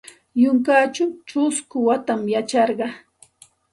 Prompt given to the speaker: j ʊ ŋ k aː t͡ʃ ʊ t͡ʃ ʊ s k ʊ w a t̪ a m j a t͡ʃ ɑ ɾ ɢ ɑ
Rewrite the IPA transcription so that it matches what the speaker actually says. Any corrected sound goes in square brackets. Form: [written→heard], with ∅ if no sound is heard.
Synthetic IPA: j ʊ ŋ k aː t͡ʃ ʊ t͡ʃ ʊ s k ʊ w a t̪ a m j a t͡ʃ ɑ ɾ ɢ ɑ